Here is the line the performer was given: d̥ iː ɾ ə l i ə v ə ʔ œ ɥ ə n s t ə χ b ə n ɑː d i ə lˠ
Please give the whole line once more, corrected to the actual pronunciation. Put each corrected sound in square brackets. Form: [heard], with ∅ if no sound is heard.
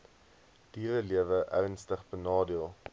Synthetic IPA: d̥ iː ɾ ə l i ə v ə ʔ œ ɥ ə n s t ə χ b ə n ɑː d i ə lˠ